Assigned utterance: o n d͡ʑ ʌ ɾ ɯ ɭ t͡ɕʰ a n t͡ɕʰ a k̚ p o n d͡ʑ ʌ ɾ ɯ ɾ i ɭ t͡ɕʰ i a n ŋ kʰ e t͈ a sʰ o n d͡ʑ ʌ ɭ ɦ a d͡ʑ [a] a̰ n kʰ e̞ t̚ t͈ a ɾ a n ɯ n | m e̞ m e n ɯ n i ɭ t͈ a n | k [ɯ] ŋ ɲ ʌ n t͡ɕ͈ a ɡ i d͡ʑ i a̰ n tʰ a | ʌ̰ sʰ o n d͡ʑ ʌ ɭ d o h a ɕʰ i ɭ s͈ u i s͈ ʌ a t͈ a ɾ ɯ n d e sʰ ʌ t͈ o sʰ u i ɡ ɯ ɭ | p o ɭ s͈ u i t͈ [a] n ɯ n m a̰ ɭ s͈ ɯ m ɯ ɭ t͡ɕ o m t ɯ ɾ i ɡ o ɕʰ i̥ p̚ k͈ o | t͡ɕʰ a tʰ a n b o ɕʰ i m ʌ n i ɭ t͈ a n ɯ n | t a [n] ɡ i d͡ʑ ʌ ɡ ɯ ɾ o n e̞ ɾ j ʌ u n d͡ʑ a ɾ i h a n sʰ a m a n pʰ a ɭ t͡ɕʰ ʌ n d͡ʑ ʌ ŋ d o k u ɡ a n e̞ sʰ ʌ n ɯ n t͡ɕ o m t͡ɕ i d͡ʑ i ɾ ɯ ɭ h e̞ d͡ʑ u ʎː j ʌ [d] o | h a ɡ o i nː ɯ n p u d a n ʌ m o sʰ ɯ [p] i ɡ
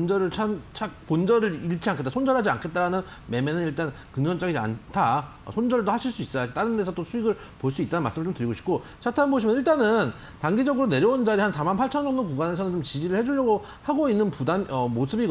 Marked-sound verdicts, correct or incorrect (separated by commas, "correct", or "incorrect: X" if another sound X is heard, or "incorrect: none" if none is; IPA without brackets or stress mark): incorrect: i, correct, correct, incorrect: ŋ, incorrect: ɡ, incorrect: b